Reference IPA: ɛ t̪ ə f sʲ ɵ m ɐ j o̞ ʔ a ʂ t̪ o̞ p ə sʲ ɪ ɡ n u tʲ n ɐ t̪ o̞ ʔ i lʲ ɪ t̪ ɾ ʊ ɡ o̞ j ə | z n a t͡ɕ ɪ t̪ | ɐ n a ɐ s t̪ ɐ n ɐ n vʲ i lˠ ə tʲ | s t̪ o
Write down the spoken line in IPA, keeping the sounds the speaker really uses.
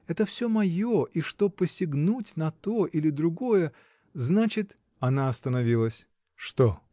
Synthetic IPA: ɛ t̪ ə f sʲ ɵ m ɐ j o̞ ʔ i ʂ t̪ o̞ p ə sʲ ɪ ɡ n u tʲ n ɐ t̪ o̞ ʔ i lʲ ɪ d̪ ɾ ʊ ɡ o̞ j ə | z n a t͡ɕ ɪ t̪ | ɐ n a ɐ s t̪ ə n ɐ vʲ i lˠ ə sʲ | ʂ t̪ o